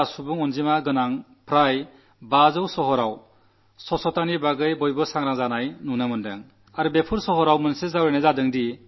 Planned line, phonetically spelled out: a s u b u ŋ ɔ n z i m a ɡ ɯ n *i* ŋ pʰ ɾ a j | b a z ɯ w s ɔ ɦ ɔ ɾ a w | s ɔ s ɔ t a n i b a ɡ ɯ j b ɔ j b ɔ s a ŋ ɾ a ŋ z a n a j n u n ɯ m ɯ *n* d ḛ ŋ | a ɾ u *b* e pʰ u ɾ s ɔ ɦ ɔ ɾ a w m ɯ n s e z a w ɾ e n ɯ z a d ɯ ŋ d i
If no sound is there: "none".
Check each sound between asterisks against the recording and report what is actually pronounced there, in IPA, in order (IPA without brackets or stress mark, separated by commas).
a, n, b